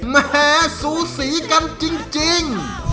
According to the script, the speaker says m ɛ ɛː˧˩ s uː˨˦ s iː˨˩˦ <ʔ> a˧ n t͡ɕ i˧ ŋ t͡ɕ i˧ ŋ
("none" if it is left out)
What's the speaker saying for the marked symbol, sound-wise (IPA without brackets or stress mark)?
k